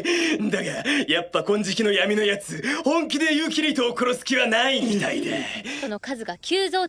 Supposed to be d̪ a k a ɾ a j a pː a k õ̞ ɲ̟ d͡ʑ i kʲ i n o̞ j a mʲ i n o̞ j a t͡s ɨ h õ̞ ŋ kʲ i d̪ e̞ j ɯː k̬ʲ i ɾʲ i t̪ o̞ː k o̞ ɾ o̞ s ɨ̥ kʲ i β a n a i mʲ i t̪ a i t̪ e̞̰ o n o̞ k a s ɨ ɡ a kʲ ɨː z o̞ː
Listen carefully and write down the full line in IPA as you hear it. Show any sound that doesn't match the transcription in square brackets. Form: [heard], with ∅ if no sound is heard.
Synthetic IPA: d̪ a k a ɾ a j a pː a k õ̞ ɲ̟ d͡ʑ i kʲ i n o̞ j a mʲ i n o̞ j a t͡s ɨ h õ̞ ŋ kʲ i d̪ e̞ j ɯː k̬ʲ i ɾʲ i t̪ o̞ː k o̞ ɾ o̞ s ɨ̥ kʲ i β a n a i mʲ i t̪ a i [d̪] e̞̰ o n o̞ k a [z] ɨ ɡ a kʲ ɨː z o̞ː